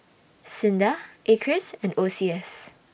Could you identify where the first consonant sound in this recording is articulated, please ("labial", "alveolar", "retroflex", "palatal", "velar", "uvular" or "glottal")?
alveolar